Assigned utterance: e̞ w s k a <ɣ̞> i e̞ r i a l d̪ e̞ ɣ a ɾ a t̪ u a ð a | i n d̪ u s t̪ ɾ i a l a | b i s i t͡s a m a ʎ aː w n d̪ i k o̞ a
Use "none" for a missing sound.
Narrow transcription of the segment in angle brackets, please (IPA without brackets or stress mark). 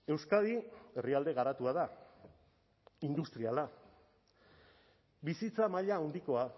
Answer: ð̞